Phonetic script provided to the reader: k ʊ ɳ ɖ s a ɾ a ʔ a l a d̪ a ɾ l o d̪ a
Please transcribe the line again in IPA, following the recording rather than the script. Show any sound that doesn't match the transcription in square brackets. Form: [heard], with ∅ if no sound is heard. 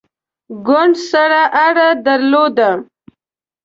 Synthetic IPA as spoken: [ɡ] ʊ ɳ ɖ s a ɾ a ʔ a [ɽ] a d̪ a ɾ l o d̪ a